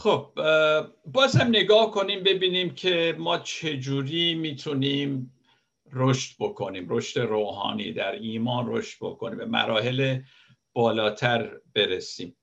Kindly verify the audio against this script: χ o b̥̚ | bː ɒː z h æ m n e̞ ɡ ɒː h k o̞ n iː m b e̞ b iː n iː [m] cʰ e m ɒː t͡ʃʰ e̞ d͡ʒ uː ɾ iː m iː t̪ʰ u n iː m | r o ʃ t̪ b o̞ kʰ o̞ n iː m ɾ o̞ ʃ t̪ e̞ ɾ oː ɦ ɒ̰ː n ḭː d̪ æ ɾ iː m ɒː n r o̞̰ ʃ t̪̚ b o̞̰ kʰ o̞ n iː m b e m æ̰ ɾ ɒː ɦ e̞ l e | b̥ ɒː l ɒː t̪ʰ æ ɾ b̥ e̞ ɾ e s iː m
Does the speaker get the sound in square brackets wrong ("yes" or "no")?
no